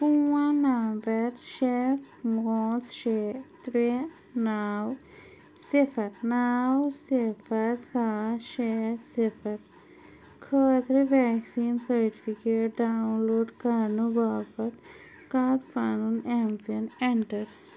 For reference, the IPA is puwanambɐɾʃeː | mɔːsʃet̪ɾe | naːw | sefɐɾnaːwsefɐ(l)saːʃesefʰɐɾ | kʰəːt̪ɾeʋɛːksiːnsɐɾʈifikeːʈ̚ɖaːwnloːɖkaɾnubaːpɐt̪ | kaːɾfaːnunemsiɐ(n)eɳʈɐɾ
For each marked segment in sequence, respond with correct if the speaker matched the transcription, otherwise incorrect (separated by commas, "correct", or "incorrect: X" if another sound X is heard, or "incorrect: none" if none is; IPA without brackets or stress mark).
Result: incorrect: ɾ, correct